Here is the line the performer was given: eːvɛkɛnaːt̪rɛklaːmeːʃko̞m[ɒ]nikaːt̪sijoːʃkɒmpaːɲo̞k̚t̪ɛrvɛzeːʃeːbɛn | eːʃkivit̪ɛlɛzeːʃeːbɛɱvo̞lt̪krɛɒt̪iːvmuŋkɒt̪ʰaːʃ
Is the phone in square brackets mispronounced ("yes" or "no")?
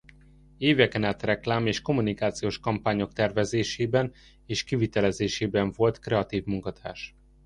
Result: yes